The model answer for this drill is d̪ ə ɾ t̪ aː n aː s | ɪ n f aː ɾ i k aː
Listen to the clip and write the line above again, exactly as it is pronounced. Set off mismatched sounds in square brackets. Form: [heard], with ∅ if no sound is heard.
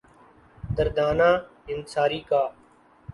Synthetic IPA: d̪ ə ɾ [d̪] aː n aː [∅] | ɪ n [s] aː ɾ [iː] k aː